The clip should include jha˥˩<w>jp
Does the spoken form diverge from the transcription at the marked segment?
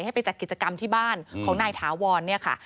yes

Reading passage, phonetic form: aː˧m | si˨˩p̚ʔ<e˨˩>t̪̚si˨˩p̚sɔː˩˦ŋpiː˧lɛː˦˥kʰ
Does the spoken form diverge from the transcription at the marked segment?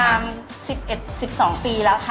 no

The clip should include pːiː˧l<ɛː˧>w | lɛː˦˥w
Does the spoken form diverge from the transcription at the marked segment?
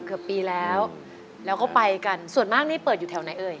yes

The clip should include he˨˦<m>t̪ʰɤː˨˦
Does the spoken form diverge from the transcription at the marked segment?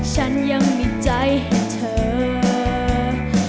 yes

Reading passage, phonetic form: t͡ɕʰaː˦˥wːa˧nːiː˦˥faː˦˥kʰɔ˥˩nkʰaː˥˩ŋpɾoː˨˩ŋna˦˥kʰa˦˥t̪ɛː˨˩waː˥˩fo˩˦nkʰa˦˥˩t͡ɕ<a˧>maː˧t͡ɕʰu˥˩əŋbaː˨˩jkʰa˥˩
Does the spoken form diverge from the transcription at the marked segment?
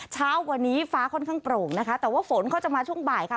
yes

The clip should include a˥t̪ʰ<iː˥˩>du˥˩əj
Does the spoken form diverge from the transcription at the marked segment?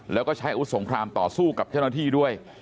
no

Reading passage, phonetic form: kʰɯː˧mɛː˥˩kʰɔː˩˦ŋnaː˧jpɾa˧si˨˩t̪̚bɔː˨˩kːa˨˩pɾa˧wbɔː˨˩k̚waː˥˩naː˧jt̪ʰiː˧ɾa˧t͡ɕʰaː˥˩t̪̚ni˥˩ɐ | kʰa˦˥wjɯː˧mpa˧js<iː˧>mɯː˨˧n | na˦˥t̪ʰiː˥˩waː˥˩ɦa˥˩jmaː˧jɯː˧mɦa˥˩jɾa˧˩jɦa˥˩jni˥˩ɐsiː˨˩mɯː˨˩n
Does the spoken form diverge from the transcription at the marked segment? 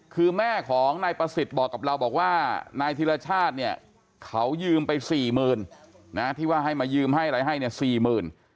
yes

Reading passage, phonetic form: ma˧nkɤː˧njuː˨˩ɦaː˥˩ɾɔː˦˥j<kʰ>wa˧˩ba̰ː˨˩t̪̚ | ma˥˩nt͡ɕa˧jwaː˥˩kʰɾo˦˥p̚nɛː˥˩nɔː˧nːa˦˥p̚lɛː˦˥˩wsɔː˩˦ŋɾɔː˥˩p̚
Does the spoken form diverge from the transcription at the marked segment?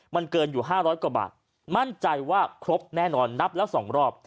yes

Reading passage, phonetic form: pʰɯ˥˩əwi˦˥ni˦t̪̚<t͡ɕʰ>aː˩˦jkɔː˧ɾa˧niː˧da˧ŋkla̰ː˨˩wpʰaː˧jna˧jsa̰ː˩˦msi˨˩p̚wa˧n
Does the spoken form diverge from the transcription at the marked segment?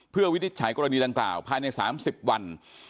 no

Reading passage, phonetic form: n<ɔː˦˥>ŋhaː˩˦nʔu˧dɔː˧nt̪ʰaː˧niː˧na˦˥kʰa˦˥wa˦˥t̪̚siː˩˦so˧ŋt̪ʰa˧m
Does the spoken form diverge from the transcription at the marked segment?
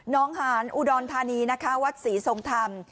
no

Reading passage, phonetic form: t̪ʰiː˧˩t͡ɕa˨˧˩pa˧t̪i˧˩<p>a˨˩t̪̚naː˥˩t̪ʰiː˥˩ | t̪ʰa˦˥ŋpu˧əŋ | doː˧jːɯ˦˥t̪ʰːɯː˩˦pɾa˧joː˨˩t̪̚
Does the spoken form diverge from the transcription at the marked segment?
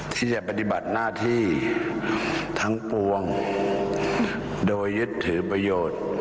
yes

